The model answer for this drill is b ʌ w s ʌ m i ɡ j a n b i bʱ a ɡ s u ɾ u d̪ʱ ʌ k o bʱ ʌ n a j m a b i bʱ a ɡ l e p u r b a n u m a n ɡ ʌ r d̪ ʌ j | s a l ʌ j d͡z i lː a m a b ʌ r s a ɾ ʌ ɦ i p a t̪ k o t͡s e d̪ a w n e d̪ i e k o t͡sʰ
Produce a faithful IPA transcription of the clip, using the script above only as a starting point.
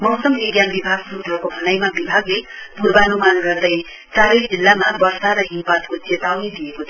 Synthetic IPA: m ʌ w s ʌ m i ɡ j a n b i bʱ a ɡ s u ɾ u d̪ʱ ʌ k o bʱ ʌ n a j m a b i bʱ a ɡ l e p u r b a n u m a n ɡ ʌ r d̪ ʌ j | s a ɾ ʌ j d͡z i lː a m a b ʌ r s a ɾ ʌ ɦ i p a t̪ k o t͡s e t̪ a w n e d̪ i e k o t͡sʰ